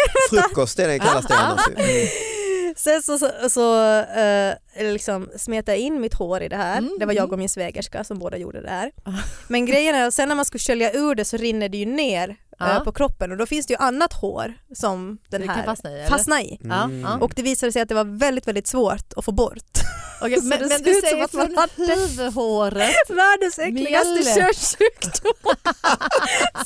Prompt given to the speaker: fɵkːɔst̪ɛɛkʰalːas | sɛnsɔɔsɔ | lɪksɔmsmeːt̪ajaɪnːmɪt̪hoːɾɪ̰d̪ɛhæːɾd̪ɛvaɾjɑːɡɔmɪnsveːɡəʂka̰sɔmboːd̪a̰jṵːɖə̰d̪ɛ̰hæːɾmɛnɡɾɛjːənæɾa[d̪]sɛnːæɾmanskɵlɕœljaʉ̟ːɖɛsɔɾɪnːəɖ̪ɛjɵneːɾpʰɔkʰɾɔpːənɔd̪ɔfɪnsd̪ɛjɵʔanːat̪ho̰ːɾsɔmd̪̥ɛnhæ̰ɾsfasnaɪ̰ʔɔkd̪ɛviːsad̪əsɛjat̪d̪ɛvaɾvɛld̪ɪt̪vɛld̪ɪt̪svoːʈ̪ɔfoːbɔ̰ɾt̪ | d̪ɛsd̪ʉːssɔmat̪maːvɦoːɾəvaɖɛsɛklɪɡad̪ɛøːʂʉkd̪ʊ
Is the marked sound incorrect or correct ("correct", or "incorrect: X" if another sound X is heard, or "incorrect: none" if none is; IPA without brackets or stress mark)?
incorrect: t̪